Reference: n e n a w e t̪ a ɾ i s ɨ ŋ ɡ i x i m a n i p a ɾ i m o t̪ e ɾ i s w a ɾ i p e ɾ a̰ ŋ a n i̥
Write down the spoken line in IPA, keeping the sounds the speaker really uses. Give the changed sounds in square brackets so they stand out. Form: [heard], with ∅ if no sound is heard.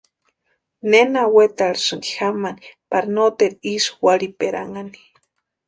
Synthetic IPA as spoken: n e n a w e t̪ a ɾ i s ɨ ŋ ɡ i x [a] m a n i p a ɾ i [n] o t̪ e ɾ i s w a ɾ i p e ɾ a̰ ŋ a n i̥